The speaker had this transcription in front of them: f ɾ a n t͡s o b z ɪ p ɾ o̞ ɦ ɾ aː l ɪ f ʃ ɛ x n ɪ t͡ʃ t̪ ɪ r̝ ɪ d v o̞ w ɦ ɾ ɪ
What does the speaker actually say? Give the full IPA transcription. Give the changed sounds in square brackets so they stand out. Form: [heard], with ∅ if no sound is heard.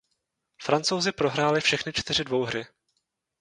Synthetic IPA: f ɾ a n t͡s o [w] z ɪ p ɾ o̞ ɦ ɾ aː l ɪ f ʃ ɛ x n ɪ t͡ʃ t̪ ɪ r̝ ɪ d v o̞ w ɦ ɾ ɪ